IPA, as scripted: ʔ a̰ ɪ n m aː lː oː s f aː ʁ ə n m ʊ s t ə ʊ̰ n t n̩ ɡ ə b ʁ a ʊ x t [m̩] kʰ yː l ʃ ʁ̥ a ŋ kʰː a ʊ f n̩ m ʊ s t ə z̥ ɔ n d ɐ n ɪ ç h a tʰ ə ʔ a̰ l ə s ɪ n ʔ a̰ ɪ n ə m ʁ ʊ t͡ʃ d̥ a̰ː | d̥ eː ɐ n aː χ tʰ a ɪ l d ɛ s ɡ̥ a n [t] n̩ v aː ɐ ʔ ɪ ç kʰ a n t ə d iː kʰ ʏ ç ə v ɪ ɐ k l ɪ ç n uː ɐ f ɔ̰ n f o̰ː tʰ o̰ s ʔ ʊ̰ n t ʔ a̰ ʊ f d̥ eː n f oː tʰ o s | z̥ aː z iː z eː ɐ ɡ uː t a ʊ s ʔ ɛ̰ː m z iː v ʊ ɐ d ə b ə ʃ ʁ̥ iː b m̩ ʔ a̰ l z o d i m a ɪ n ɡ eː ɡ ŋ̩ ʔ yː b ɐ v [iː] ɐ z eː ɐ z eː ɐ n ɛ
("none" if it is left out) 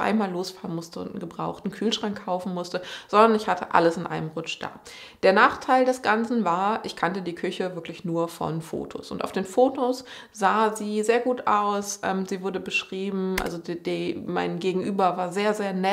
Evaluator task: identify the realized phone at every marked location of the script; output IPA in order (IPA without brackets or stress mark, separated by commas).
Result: n̩, t͡s, aː